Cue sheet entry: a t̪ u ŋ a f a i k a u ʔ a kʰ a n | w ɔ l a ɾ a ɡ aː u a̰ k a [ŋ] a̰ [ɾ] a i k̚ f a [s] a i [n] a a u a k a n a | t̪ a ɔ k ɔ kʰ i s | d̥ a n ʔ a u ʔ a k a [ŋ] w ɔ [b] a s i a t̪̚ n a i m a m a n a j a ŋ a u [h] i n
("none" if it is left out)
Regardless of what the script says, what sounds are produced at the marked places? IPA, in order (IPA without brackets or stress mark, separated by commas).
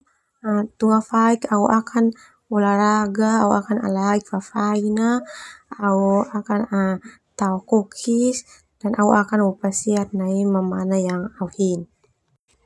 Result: n, l, f, n, n, p, h